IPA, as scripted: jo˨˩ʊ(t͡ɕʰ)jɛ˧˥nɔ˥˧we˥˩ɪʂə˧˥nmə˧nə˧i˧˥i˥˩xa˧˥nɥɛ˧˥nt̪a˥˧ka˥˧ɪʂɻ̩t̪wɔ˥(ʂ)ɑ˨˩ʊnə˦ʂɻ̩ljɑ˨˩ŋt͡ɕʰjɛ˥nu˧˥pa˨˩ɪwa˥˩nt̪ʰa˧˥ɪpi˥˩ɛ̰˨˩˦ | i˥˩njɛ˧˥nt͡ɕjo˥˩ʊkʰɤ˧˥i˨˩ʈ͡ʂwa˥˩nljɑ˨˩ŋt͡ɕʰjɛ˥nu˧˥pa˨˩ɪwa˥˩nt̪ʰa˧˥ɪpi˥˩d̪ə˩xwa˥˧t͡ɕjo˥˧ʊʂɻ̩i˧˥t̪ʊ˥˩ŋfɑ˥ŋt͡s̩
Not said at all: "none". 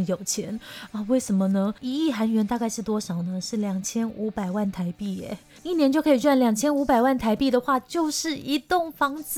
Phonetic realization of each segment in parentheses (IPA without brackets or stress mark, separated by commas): t͡ɕʰ, ʂ